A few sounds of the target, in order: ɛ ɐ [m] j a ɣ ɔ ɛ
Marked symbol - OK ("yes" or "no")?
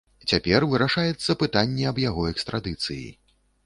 no